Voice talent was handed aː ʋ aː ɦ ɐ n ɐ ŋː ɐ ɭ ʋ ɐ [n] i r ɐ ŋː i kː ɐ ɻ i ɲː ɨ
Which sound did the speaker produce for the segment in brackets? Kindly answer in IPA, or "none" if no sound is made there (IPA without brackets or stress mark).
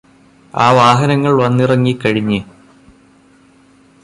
nː